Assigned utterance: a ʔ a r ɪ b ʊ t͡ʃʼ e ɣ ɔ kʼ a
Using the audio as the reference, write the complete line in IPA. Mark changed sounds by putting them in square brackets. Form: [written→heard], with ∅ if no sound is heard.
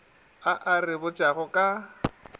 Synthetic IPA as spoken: a ʔ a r ɪ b ʊ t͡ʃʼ [e→a] ɣ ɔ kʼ a